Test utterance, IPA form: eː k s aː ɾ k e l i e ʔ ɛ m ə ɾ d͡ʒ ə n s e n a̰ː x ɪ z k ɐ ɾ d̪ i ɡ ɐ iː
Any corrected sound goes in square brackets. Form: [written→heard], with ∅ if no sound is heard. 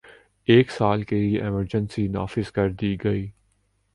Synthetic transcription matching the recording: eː k s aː [ɾ→l] k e l i e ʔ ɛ m ə ɾ d͡ʒ ə n s [e→i] n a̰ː [x→f] ɪ z k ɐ ɾ d̪ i ɡ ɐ iː

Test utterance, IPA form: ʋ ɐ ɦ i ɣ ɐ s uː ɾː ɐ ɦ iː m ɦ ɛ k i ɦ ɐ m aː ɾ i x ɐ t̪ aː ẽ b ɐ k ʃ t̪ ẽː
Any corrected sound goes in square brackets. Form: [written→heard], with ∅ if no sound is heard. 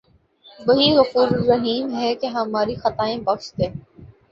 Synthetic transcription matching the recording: ʋ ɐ ɦ i ɣ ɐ [s→f] uː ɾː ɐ ɦ iː m ɦ ɛ k [i→e] ɦ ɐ m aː ɾ i x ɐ t̪ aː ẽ b ɐ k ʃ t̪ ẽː

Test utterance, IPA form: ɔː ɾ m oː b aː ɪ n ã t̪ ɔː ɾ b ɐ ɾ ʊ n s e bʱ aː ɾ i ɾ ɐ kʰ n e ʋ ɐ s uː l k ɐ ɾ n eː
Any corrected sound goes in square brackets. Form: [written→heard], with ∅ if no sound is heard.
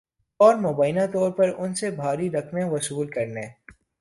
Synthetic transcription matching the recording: ɔː ɾ m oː b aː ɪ n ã t̪ ɔː ɾ [b→p] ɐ ɾ ʊ n s e bʱ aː ɾ i ɾ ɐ kʰ n e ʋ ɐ s uː l k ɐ ɾ n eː

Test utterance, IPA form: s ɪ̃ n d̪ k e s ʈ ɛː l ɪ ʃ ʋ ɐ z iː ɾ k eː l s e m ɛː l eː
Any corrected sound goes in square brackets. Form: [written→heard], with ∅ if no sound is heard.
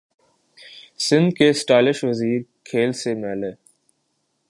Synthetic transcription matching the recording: s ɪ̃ n d̪ k e s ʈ [ɛː→aː] l ɪ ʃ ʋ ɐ z iː ɾ [k→kʰ] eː l s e m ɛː l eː

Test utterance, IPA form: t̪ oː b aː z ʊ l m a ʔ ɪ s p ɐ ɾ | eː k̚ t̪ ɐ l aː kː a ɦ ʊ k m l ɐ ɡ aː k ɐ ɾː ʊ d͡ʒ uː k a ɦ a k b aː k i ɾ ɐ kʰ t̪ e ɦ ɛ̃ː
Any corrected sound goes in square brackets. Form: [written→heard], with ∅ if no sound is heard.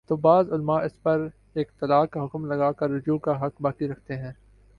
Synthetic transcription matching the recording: t̪ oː b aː z ʊ l m a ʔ ɪ s p ɐ ɾ | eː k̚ t̪ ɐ l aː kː a ɦ ʊ k m l ɐ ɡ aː k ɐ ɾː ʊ d͡ʒ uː k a ɦ [a→ɐ] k b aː k i ɾ ɐ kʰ t̪ e ɦ ɛ̃ː

